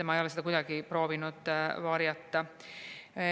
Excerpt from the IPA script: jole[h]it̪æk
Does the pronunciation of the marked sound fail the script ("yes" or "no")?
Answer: yes